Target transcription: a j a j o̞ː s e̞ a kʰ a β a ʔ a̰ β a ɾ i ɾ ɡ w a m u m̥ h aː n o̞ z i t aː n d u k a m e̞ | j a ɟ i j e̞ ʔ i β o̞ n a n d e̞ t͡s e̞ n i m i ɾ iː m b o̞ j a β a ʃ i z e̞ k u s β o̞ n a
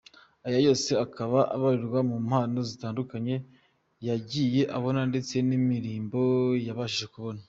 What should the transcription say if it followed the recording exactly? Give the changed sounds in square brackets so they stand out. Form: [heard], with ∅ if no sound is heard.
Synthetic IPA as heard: a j a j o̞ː s e̞ a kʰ a β a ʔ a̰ β a ɾ i ɾ ɡ w a m u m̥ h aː n o̞ z i t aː n d u k a [ɲ] e̞ | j a ɟ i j e̞ ʔ [a] β o̞ n a n d e̞ t͡s e̞ n i m i ɾ iː m b o̞ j a β a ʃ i [ʒ] e̞ k u [∅] β o̞ n a